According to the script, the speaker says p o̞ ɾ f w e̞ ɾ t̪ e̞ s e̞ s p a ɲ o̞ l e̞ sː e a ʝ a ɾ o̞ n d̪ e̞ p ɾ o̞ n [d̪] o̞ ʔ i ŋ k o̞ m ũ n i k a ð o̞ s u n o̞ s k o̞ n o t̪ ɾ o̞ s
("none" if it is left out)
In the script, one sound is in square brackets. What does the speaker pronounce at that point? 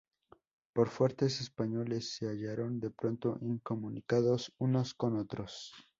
t̪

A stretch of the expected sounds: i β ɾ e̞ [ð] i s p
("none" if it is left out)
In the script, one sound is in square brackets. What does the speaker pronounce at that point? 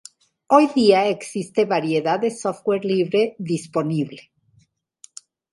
ð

